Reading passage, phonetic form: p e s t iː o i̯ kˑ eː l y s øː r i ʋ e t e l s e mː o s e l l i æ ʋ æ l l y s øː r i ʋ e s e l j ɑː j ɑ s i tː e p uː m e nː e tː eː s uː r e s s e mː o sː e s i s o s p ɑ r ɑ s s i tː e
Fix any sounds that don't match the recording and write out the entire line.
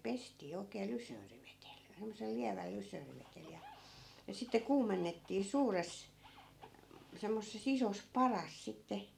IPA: p e s t iː o i̯ kˑ eː l y s øː r i ʋ e t e l s e mː o s e l l i æ ʋ æ l l y s øː r i ʋ e t e l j ɑ j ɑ s i tː e k uː m e nː e tː iː s uː r e s s e mː o sː e s i s o s p ɑ r ɑ s s i tː e